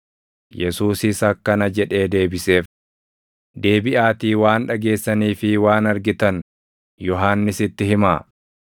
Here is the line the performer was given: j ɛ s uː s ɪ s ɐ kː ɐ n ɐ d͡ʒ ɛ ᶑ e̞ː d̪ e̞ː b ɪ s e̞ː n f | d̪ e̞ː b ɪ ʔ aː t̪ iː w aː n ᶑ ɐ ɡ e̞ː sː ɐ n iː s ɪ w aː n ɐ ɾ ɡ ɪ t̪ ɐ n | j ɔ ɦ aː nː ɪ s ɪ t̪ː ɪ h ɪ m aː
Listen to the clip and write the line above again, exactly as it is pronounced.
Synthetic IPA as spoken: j ɛ s uː s ɪ s ɐ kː ɐ n ɐ d͡ʒ ɛ ᶑ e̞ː d̪ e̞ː b ɪ s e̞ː f | d̪ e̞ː b ɪ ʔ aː t̪ iː w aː n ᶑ ɐ ɡ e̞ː sː ɐ n iː f ɪ w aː n ɐ ɾ ɡ ɪ t̪ ɐ n | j ɔ ɦ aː nː ɪ s ɪ t̪ː ɪ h ɪ m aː